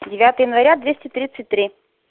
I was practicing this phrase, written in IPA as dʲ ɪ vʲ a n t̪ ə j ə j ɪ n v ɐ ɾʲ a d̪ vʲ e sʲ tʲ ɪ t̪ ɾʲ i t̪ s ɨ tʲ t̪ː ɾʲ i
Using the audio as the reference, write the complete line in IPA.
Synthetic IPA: dʲ ɪ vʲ a t̪ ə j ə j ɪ n v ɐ ɾʲ a d̪ vʲ e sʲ tʲ ɪ t̪ ɾʲ i t̪ s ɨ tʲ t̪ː ɾʲ i